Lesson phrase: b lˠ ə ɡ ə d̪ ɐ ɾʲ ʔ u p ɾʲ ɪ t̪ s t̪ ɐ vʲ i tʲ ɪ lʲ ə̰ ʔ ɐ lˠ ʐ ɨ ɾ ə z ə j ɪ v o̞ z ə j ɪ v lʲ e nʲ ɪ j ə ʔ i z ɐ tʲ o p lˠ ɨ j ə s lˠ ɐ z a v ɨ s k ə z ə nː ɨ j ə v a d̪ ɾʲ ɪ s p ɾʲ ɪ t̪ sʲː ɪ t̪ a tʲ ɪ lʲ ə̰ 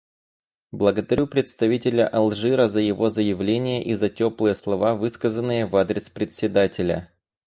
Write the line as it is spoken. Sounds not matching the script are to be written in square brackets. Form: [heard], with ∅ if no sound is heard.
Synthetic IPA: b lˠ ə ɡ ə d̪ ɐ ɾʲ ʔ u p ɾʲ ɪ t̪ s t̪ ɐ vʲ i tʲ ɪ lʲ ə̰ ʔ ɐ lˠ ʐ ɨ ɾ ə z ə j ɪ v o̞ z ə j ɪ v lʲ e nʲ ɪ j ə ʔ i z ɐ tʲ o p lˠ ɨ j ə s lˠ ɐ [v] a v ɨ s k ə z ə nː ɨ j ə v a d̪ ɾʲ ɪ s p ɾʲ ɪ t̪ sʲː ɪ [d̪] a tʲ ɪ lʲ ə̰